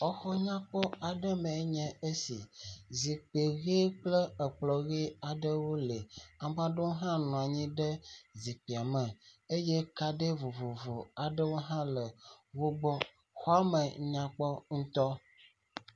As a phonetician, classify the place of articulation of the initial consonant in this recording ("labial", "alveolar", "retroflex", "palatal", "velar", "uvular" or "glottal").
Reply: velar